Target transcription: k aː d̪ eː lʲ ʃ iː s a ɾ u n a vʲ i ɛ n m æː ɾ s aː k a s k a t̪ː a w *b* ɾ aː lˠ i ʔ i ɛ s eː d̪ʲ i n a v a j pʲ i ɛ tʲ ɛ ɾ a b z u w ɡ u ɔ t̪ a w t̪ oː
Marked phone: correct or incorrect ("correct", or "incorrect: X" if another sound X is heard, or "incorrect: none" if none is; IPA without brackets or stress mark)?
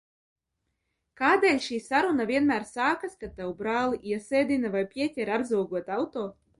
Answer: correct